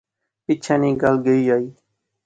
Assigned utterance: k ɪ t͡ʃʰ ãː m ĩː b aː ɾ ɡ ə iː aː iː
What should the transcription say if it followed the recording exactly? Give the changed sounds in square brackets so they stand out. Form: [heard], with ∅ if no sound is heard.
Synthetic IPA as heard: [p] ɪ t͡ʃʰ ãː [n] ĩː [ɡ] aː [l] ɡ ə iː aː iː